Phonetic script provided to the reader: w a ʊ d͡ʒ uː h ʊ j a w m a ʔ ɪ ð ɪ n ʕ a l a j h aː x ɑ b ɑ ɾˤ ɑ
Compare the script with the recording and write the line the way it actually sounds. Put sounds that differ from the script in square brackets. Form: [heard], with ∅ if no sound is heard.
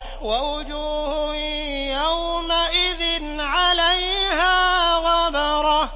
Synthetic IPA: w a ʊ d͡ʒ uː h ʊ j a w m a ʔ ɪ ð ɪ n ʕ a l a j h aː [ɣ] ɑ b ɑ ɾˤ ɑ